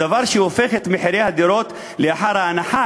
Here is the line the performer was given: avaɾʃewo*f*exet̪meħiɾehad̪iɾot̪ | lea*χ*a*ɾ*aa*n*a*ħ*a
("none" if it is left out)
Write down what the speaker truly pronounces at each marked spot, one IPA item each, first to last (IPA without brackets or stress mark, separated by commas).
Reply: f, ħ, ɾ, n, ħ